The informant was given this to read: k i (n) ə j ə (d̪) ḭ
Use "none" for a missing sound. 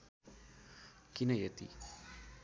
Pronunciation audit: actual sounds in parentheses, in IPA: n, t̪

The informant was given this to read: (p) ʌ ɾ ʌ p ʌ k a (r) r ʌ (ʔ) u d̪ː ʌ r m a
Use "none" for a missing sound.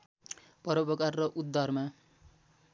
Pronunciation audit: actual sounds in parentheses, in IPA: p, r, ʔ

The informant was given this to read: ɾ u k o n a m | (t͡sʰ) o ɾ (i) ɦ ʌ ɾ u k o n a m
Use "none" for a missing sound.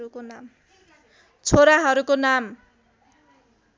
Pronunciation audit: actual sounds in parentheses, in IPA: t͡sʰ, a

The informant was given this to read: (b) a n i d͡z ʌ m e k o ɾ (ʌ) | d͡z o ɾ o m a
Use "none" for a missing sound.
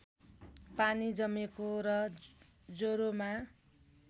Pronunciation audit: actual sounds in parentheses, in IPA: p, ʌ

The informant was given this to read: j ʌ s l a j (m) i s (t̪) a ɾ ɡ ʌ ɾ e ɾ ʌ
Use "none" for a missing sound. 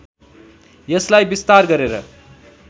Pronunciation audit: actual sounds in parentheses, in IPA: b, t̪

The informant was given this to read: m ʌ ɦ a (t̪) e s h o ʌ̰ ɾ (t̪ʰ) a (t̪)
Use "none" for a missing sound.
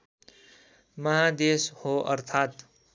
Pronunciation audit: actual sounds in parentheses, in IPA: d̪, t̪ʰ, t̪

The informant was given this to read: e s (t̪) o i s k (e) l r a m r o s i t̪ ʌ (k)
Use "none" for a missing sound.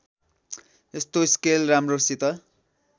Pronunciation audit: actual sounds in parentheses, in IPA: t̪, e, none

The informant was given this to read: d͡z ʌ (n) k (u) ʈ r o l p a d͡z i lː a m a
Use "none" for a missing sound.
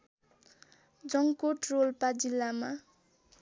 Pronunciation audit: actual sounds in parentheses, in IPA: ŋ, o

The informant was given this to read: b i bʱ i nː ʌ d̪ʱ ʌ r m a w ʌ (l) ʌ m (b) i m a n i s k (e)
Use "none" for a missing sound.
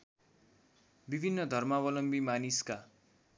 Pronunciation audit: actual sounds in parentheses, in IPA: l, b, a

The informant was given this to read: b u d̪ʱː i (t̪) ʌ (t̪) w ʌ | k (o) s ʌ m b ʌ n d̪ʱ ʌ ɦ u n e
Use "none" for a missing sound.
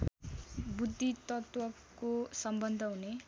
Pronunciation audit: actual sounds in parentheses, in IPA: t̪, t̪, o

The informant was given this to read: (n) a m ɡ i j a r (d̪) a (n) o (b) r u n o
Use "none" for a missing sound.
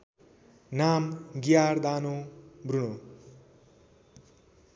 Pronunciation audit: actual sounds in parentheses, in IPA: n, d̪, n, b

